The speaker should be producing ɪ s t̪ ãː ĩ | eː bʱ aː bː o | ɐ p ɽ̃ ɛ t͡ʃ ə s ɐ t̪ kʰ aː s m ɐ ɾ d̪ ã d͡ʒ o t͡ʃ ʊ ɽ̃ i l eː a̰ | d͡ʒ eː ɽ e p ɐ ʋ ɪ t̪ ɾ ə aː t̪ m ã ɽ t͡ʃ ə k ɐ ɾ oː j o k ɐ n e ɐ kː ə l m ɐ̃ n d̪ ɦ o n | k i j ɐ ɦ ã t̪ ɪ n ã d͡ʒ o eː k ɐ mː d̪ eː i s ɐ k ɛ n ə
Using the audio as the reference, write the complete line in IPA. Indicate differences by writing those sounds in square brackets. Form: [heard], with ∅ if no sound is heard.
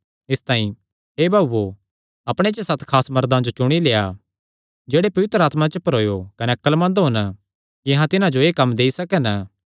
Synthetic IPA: ɪ s t̪ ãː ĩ | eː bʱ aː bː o | ɐ p ɽ̃ [e] t͡ʃ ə s ɐ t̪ kʰ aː s m ɐ ɾ d̪ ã d͡ʒ o t͡ʃ ʊ ɽ̃ i l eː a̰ | d͡ʒ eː ɽ e p ɐ ʋ ɪ t̪ ɾ ə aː t̪ m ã [∅] t͡ʃ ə [p] ɐ ɾ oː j o k ɐ n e ɐ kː ə l m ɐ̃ n d̪ ɦ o n | k i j ɐ ɦ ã t̪ ɪ n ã d͡ʒ o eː k ɐ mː d̪ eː i s ɐ k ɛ n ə